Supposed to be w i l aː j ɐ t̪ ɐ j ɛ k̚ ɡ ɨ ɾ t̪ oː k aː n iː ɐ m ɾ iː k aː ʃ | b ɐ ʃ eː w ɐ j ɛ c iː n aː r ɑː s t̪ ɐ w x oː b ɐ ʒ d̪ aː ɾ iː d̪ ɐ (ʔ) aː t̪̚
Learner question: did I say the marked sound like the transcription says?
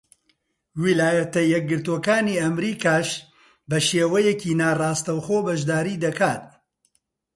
no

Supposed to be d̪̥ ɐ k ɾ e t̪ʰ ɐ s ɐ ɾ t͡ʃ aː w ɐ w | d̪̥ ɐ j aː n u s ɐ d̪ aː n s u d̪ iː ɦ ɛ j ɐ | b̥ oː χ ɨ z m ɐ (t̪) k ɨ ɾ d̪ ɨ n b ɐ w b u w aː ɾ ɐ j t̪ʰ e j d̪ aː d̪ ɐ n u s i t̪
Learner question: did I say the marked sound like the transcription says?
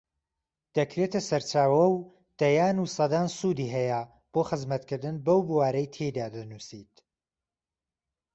yes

